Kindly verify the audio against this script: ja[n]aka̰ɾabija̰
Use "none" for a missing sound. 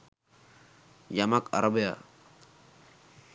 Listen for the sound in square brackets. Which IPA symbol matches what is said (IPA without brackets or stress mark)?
m